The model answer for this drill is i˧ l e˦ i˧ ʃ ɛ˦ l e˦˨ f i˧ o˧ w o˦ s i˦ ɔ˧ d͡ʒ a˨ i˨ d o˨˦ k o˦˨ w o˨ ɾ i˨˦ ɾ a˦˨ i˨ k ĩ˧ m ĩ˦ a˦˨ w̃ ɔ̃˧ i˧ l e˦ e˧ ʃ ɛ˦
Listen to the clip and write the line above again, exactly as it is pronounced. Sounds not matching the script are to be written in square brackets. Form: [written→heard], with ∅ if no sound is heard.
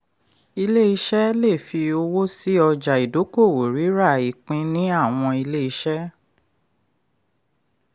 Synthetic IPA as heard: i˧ l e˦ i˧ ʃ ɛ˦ l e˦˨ f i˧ o˧ w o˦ s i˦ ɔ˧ d͡ʒ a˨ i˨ d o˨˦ k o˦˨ w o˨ ɾ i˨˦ ɾ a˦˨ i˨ [k→k͡p] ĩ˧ [m→n] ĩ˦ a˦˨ w̃ ɔ̃˧ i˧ l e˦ [e˧→i˧] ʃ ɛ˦